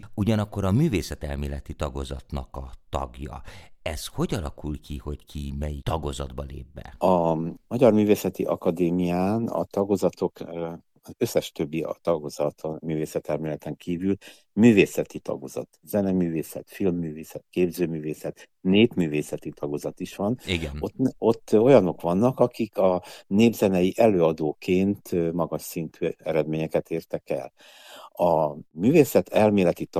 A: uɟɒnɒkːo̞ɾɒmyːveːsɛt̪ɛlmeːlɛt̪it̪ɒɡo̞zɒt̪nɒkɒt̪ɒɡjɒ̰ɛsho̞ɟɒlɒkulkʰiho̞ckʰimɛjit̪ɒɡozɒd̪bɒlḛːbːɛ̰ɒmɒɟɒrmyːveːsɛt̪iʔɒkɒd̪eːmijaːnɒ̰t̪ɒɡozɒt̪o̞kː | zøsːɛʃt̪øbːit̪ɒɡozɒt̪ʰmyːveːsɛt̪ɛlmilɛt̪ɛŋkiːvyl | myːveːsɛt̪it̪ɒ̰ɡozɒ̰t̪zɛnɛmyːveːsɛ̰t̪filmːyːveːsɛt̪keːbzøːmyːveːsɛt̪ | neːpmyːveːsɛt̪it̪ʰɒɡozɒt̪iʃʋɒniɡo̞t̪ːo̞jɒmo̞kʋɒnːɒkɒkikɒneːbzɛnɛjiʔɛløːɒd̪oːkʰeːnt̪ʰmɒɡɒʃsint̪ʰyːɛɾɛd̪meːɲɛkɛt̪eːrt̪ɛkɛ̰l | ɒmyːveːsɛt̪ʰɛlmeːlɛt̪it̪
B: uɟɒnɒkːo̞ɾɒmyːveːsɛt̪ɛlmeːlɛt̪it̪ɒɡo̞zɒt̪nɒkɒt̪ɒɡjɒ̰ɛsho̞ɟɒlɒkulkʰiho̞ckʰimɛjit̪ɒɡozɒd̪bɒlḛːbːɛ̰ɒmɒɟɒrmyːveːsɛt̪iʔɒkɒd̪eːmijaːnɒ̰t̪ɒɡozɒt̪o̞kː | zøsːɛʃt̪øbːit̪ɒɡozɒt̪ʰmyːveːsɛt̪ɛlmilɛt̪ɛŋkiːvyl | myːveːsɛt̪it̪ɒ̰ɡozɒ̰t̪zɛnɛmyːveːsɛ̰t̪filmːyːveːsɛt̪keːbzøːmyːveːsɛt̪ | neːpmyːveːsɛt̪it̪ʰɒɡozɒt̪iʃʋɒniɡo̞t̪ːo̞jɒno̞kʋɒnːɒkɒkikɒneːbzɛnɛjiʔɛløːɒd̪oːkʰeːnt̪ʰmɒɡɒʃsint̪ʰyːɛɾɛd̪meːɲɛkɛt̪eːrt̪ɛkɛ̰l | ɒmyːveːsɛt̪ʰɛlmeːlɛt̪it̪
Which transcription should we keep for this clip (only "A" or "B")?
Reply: B